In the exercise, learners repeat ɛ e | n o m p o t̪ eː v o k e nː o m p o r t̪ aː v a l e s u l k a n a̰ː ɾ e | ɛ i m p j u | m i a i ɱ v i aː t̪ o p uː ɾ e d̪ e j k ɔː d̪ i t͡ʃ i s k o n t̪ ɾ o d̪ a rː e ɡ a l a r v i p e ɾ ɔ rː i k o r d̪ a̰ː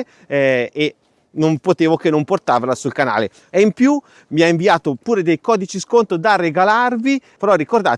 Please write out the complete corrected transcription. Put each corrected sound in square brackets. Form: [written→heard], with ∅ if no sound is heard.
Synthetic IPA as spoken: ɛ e | n o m p o t̪ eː v o k e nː o m p o r t̪ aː v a l [e→a] s u l k a n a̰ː [ɾ→l] e | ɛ i m p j u | m i a i ɱ v i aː t̪ o p uː ɾ e d̪ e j k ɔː d̪ i t͡ʃ i s k o n t̪ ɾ o d̪ a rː e ɡ a l a r v i p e ɾ ɔ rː i k o r d̪ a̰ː